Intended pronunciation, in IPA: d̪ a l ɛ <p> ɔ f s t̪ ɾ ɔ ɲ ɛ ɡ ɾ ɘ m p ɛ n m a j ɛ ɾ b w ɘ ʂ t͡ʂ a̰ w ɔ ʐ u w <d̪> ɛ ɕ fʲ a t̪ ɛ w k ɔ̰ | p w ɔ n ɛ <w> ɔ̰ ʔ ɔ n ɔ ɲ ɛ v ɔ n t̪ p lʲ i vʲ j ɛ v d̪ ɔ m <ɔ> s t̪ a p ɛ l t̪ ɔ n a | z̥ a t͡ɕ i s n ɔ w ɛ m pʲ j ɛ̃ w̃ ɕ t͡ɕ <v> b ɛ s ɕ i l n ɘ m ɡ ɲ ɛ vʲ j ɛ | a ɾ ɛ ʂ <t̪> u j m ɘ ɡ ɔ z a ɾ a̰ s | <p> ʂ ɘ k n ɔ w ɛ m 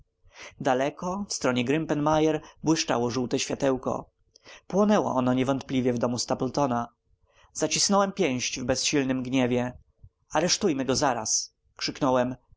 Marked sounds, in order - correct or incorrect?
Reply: incorrect: k, incorrect: t̪, correct, incorrect: u, correct, correct, incorrect: k

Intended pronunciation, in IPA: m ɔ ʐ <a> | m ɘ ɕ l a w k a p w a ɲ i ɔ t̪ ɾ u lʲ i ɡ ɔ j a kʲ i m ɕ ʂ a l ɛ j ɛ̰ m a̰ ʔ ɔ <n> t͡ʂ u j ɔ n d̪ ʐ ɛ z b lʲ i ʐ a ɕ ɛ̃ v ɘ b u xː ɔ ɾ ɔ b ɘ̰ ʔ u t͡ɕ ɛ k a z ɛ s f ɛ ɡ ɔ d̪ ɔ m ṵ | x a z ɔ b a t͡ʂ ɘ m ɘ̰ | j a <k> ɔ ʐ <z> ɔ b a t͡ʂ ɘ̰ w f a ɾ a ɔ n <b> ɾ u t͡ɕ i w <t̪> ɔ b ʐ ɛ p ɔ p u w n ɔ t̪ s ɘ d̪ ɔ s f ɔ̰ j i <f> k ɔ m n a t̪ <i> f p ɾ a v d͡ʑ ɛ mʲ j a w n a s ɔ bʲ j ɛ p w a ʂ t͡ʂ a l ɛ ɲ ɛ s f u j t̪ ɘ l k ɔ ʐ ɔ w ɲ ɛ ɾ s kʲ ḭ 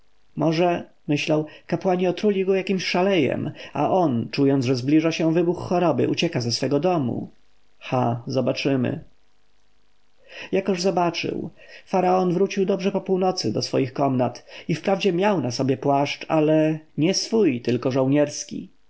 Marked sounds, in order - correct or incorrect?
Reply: incorrect: ɛ, correct, correct, correct, incorrect: v, incorrect: d̪, incorrect: x, correct

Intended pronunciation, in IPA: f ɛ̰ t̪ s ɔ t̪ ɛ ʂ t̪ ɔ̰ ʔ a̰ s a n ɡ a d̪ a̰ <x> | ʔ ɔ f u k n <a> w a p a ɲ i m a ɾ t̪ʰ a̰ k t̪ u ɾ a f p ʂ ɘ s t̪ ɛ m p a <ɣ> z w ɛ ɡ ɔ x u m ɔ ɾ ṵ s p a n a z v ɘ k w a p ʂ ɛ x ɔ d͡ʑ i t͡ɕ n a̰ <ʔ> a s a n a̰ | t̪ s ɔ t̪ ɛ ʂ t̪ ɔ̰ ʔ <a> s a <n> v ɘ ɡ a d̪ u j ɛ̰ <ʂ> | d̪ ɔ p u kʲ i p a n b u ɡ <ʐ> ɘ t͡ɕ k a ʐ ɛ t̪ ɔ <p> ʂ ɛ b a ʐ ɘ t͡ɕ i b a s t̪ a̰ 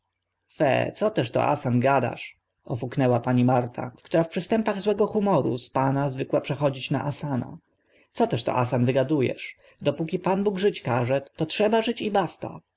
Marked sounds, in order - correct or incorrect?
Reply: incorrect: ʂ, incorrect: ɛ, correct, correct, correct, correct, correct, correct, incorrect: t

